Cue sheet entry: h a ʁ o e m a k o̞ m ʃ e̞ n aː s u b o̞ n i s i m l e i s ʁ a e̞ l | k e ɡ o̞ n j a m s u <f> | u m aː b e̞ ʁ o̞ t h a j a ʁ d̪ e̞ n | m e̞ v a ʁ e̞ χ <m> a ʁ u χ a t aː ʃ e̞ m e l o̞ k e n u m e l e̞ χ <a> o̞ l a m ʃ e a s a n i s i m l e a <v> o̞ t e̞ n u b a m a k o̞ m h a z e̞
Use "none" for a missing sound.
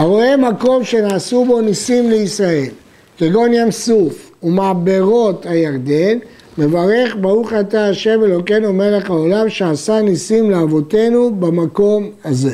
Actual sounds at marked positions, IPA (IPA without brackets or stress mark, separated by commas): f, b, a, v